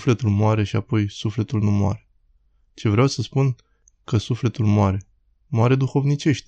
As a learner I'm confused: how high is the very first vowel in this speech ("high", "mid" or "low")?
mid